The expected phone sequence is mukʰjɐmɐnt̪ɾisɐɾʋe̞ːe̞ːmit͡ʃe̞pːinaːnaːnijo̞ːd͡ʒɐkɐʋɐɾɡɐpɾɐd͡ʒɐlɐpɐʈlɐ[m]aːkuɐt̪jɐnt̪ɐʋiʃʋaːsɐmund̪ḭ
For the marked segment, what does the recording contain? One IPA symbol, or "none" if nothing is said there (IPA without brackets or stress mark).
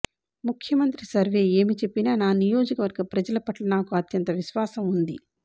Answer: n